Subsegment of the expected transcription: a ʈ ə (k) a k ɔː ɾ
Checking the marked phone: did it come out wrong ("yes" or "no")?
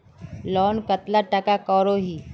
no